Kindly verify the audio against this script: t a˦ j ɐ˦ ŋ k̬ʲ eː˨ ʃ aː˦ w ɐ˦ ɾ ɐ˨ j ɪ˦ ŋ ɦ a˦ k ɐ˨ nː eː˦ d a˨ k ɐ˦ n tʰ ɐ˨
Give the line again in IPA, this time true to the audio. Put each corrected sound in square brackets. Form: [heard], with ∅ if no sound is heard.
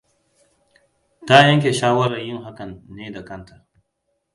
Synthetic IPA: t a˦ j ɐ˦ ŋ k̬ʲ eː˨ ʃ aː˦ w ɐ˦ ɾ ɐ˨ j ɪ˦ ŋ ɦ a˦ k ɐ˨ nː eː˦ d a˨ k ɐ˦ n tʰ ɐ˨